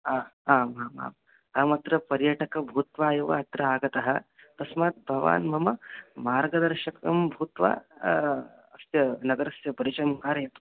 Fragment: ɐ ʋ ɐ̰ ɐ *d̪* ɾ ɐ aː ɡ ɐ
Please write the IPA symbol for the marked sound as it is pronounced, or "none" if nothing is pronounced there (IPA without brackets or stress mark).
t̪